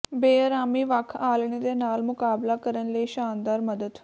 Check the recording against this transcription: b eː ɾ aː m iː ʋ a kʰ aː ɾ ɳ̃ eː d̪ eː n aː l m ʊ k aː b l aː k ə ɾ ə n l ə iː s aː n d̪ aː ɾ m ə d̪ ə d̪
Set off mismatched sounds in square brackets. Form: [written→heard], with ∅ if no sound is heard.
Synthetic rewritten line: b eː ɾ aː m iː ʋ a kʰ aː [ɾ→l] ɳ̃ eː d̪ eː n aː l m ʊ k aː b l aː k ə ɾ ə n l ə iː [s→ʃ] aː n d̪ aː ɾ m ə d̪ ə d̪